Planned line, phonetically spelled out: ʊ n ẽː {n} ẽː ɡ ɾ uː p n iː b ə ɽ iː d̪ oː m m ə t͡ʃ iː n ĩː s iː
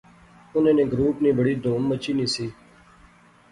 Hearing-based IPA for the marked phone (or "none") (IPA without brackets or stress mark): n